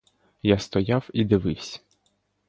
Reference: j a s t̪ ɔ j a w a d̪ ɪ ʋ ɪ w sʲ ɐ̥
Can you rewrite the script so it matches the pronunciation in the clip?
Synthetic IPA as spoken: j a s t̪ ɔ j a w i d̪ ɪ ʋ ɪ w sʲ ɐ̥